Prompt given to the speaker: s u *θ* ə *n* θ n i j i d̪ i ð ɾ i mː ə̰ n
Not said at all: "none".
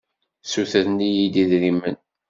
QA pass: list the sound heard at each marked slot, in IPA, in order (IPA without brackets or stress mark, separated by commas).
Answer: θ, none